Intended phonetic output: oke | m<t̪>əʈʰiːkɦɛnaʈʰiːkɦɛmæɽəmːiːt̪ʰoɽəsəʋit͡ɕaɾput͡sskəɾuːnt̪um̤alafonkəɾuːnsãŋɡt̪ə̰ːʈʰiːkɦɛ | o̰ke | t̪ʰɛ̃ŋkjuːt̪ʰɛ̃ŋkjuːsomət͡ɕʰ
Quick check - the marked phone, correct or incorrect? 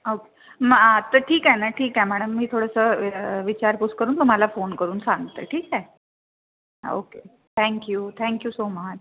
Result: correct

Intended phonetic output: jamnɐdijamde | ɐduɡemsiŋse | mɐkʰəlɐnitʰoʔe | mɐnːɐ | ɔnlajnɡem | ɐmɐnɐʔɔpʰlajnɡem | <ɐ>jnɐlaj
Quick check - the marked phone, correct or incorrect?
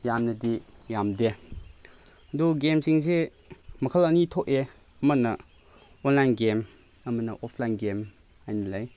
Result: incorrect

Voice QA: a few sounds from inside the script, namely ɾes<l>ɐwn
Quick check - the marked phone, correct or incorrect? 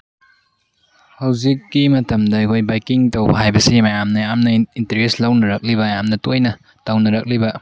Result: correct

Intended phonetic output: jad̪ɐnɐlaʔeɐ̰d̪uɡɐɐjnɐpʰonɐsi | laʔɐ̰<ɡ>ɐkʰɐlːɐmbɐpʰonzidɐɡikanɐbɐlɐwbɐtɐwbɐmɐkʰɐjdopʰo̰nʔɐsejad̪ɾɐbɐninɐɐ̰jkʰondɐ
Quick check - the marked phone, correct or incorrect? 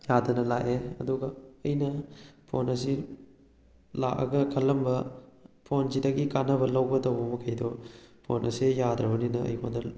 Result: correct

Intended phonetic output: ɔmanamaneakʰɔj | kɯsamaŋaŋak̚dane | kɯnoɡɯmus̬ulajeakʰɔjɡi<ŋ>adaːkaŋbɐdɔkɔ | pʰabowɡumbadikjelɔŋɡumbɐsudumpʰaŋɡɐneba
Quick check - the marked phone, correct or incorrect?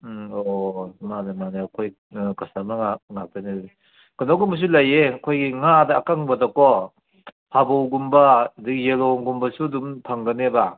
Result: correct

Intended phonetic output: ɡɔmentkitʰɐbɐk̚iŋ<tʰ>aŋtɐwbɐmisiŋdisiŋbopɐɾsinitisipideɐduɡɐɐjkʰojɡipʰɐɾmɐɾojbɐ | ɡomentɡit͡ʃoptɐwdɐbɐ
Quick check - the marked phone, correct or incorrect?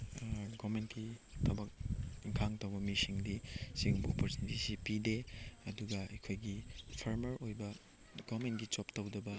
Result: incorrect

